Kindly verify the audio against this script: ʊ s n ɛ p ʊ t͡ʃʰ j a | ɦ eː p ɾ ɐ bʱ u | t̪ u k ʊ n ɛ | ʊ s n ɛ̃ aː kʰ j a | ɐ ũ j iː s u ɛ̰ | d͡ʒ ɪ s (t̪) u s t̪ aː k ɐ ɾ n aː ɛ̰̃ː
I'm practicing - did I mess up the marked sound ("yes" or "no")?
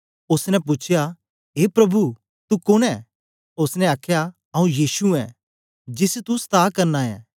no